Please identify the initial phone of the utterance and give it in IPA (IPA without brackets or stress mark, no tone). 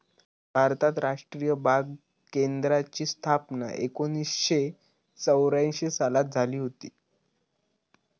bʱ